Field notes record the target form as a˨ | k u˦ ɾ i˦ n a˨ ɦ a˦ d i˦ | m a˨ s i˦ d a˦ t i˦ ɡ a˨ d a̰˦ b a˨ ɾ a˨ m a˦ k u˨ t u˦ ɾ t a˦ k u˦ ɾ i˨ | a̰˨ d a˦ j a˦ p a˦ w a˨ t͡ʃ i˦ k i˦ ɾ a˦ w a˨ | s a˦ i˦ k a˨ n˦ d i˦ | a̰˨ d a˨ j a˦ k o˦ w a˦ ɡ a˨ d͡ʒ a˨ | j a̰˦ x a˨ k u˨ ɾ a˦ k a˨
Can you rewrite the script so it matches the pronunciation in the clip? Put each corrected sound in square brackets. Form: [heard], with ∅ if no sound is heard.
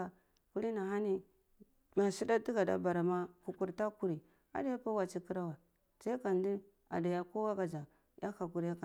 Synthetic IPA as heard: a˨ | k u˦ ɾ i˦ n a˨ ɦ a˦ [n] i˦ | m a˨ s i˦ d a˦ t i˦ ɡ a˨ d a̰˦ b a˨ ɾ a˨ m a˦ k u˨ [k] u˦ ɾ t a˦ k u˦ ɾ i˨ | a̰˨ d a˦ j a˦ p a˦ w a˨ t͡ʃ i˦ k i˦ ɾ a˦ w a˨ | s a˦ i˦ k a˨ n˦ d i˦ | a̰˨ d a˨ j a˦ k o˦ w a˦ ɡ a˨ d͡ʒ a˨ | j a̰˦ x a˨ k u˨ ɾ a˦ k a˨